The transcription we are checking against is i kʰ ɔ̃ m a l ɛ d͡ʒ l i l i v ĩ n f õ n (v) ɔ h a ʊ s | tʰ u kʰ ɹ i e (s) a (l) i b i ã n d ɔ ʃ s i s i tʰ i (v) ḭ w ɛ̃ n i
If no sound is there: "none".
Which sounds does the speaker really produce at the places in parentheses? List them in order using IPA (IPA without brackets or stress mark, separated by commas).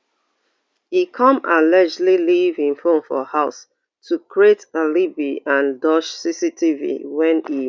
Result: f, t, l, v